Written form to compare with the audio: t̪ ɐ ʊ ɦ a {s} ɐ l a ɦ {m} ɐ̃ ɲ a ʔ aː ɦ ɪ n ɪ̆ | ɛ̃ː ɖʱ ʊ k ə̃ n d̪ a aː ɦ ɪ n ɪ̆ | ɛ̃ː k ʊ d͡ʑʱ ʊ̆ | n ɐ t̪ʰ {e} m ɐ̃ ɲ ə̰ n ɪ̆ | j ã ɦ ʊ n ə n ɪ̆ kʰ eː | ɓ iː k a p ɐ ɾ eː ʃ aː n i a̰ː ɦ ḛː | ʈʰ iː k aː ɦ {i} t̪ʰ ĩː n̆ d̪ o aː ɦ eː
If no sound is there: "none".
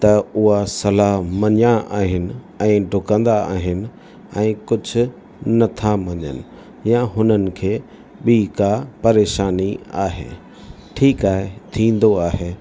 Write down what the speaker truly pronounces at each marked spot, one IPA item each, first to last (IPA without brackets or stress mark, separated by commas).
s, m, a, e